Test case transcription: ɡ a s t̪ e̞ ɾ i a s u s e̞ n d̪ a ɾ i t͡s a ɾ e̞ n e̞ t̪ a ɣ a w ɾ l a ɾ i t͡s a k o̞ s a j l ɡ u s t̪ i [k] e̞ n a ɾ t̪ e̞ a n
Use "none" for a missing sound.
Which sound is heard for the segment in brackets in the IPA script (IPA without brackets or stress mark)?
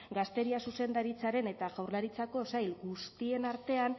none